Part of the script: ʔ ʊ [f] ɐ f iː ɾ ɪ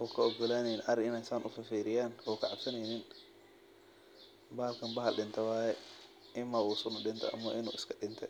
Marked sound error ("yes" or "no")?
no